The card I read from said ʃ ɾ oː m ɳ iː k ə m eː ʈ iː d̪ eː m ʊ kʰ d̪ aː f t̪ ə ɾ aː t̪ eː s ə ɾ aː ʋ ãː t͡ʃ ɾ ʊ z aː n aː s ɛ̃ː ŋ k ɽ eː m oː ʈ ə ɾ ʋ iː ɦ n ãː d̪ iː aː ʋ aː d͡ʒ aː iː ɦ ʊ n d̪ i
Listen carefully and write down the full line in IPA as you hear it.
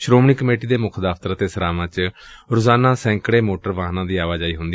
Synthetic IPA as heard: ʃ ɾ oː m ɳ iː k ə m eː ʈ iː d̪ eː m ʊ kʰ d̪ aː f t̪ ə ɾ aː t̪ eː s ə ɾ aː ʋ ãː t͡ʃ ɾ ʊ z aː n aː s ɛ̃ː ŋ k ɽ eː m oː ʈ ə ɾ ʋ aː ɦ n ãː d̪ iː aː ʋ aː d͡ʒ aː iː ɦ ʊ n d̪ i